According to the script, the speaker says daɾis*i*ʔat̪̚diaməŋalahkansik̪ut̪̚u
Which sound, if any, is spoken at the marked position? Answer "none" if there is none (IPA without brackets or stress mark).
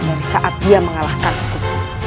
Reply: a